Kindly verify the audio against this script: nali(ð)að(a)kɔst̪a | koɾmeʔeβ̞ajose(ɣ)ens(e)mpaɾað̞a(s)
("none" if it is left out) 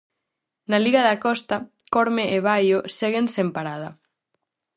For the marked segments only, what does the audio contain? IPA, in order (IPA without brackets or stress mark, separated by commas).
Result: ɣ, a, ɣ, e, none